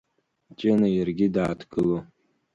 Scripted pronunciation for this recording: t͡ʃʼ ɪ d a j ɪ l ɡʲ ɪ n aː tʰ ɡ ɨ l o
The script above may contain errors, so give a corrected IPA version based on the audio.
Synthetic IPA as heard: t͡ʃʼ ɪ n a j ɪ r ɡʲ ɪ d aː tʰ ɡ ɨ l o